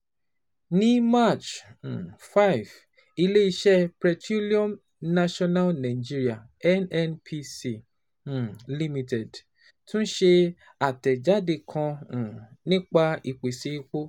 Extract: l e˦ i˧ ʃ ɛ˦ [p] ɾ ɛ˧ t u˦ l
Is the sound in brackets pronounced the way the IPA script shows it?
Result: yes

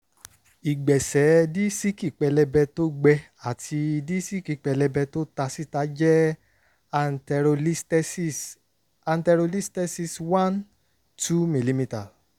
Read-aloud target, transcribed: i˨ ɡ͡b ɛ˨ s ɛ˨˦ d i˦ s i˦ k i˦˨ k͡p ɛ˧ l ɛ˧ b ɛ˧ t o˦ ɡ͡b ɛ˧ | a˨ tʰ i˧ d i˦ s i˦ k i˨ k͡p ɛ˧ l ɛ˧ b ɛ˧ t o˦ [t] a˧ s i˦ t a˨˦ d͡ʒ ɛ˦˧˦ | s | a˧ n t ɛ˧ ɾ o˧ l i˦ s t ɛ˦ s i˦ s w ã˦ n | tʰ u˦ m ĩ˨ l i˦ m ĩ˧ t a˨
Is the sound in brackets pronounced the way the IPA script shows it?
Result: yes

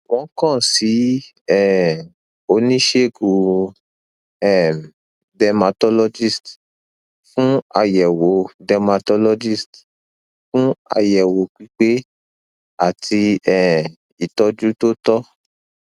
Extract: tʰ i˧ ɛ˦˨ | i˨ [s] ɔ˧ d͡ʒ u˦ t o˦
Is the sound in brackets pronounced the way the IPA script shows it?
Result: no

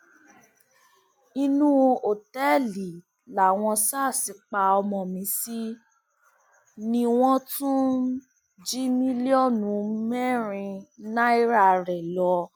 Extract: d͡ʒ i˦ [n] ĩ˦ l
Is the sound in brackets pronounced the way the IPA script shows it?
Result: no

